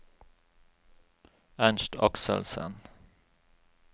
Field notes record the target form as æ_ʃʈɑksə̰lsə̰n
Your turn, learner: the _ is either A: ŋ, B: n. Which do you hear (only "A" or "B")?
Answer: B